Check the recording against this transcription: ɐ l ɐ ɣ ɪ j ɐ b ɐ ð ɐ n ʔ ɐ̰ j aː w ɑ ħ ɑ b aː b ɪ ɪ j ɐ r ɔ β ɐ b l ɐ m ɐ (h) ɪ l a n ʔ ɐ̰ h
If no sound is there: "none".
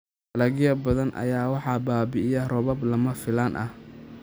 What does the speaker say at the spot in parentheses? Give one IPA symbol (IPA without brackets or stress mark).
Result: f